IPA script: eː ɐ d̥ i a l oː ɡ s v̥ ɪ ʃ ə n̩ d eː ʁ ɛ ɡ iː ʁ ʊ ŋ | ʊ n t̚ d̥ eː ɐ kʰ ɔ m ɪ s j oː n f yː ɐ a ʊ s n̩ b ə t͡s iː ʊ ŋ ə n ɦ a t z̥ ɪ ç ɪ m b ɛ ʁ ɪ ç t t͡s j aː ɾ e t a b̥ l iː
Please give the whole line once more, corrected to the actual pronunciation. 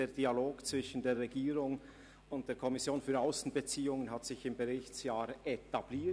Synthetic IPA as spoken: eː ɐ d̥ i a l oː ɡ t͡s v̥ ɪ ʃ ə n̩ d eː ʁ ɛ ɡ iː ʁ ʊ ŋ | ʊ n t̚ d̥ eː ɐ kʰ ɔ m ɪ s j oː n f yː ɐ a ʊ s n̩ b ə t͡s iː ʊ ŋ ə n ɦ a t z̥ ɪ ç ɪ m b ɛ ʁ ɪ ç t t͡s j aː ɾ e t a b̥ l iː